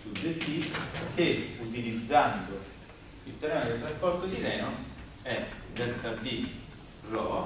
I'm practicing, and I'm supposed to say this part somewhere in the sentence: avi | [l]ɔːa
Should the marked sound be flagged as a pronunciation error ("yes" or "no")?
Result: yes